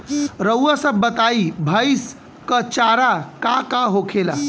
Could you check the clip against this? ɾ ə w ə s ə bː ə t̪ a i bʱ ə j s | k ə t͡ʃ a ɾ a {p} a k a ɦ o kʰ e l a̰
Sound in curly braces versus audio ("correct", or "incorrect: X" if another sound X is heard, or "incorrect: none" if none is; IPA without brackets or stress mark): incorrect: k